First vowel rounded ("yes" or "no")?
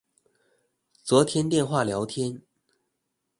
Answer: yes